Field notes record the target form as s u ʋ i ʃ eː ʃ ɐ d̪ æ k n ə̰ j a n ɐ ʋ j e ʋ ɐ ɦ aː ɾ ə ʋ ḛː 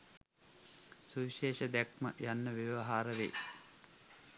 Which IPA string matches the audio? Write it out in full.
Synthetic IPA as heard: s u ʋ i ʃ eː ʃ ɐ d̪ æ k m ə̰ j a nː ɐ ʋ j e ʋ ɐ ɦ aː ɾ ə ʋ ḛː